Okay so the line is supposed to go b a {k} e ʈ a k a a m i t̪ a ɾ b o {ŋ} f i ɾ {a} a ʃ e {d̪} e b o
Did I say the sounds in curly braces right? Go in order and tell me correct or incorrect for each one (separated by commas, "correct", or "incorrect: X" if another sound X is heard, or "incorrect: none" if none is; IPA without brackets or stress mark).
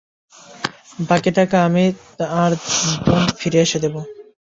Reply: correct, incorrect: n, incorrect: e, correct